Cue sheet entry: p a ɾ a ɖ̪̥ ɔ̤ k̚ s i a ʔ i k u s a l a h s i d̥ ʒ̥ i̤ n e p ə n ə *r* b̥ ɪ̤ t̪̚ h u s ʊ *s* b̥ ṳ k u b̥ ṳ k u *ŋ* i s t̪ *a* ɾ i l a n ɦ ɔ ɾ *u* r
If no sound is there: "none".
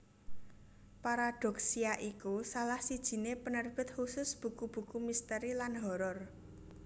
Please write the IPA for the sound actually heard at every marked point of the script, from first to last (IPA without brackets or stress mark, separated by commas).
r, s, m, ə, ɔ